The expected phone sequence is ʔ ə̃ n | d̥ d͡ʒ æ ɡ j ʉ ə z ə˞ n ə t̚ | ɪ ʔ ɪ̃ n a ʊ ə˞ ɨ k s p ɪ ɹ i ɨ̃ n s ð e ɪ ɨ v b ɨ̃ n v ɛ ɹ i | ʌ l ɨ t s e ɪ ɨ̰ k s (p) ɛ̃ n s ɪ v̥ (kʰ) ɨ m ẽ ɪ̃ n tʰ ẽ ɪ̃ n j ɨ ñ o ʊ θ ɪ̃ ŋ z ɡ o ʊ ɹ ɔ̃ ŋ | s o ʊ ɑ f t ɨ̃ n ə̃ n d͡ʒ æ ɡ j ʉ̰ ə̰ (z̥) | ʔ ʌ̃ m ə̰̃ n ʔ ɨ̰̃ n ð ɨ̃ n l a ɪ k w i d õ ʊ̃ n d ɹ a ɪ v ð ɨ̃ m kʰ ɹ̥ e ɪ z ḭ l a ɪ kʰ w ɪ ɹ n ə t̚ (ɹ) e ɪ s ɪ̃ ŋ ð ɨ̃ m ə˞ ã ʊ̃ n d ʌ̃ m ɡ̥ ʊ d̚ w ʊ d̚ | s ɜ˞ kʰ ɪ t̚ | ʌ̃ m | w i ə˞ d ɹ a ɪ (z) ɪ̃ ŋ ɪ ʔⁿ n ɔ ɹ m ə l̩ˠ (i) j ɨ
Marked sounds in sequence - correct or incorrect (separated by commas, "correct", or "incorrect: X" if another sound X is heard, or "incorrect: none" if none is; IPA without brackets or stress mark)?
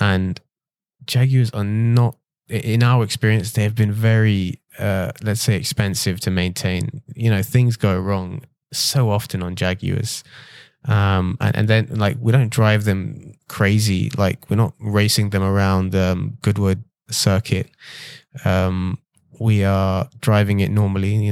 correct, incorrect: tʰ, correct, correct, incorrect: v, correct